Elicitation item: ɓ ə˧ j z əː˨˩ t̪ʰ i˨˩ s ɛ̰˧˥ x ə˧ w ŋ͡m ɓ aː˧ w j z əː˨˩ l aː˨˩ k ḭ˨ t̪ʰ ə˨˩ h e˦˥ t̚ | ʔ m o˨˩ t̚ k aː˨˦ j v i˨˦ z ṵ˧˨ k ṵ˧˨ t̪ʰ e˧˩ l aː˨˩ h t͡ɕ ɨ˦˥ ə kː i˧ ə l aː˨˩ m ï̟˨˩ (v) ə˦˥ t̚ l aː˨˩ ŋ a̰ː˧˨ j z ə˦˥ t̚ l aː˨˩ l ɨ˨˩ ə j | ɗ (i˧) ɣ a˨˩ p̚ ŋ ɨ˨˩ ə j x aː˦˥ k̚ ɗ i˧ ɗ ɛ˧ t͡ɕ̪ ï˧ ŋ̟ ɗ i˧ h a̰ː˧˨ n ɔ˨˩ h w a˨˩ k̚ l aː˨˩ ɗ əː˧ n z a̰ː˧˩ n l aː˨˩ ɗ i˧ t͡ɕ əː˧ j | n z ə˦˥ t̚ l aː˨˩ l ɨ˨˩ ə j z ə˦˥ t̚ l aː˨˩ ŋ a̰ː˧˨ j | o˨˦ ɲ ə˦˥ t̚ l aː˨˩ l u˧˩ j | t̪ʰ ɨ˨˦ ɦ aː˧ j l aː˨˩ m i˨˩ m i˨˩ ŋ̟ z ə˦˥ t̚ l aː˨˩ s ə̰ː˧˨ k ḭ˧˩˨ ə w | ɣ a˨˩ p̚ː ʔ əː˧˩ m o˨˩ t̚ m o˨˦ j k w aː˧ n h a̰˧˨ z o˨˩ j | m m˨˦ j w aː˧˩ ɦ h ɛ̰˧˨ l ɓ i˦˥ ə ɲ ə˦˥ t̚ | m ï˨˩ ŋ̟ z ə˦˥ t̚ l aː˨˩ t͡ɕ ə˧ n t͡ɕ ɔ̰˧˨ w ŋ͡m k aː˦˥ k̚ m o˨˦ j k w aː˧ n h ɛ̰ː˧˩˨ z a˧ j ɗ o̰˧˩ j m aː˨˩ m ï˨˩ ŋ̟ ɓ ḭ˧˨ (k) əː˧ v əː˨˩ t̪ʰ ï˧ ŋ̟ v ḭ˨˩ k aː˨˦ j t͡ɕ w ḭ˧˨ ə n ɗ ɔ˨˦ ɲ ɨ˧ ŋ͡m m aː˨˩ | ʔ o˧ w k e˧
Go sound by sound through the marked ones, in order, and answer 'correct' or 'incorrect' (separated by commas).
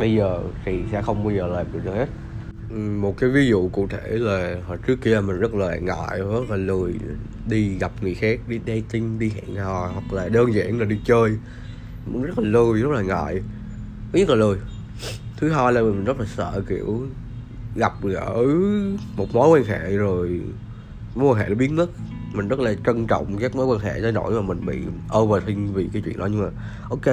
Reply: incorrect, correct, incorrect